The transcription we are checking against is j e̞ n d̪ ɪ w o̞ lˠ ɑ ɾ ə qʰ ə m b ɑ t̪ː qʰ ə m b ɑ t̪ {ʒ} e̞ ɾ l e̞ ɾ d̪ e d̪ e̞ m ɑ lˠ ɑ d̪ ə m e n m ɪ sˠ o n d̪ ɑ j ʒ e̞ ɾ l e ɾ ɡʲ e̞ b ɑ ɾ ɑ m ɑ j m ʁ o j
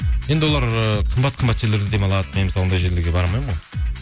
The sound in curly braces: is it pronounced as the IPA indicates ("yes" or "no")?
yes